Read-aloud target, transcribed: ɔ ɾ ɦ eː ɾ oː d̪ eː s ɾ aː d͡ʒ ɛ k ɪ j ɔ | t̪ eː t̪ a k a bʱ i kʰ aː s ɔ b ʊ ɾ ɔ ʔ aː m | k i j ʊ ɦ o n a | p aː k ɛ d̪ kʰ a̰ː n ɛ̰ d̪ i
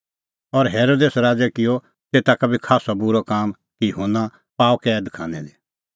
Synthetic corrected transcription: ɔ ɾ ɦ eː ɾ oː d̪ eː s ɾ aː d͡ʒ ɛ k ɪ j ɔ | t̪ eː t̪ a k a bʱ i kʰ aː s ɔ b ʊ ɾ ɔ k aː m | k i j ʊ ɦ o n a | p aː k ɛ d̪ kʰ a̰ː n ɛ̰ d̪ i